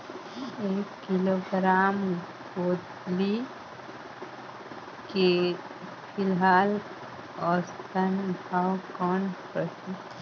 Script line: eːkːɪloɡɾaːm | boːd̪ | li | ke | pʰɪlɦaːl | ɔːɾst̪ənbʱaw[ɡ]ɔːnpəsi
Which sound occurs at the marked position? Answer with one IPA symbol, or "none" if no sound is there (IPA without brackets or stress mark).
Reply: k